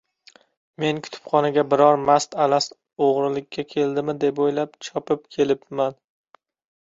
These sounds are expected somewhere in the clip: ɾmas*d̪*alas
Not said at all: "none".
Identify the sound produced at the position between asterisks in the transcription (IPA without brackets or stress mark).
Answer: t̪